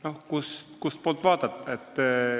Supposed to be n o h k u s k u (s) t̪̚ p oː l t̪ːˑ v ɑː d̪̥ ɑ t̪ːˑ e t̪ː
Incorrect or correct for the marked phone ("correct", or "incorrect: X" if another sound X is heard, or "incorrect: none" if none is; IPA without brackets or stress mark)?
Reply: correct